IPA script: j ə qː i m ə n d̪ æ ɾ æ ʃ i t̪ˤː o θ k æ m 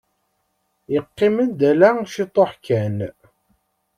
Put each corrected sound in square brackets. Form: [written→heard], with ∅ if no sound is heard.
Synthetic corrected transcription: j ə qː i m ə n d̪ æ [ɾ→l] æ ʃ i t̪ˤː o [θ→ħ] k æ [m→n]